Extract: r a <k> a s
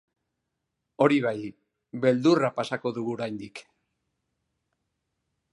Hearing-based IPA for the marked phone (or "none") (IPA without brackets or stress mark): p